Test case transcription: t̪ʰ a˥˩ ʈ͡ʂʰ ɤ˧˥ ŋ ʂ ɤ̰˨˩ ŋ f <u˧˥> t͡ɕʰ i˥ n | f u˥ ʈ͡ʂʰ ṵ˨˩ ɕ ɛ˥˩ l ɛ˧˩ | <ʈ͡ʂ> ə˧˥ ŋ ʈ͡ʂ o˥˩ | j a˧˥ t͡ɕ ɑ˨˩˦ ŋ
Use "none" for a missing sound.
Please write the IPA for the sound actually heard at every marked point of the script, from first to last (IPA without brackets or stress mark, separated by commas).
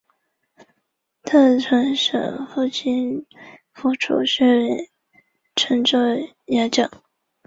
u˥˩, ʈ͡ʂʰ